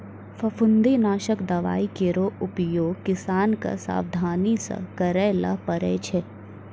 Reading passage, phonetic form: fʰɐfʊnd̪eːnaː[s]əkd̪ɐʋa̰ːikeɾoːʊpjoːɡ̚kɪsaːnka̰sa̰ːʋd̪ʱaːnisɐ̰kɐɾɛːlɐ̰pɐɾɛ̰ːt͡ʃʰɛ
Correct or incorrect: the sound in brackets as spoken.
incorrect: ʃ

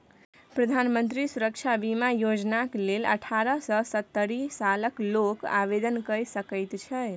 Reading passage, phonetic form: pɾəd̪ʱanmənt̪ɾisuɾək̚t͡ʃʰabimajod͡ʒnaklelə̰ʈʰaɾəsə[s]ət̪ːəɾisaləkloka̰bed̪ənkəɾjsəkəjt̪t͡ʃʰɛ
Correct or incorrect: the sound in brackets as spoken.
correct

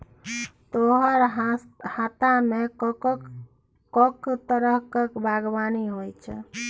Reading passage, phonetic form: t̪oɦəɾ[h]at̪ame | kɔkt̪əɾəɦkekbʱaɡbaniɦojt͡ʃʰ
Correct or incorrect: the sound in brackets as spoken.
correct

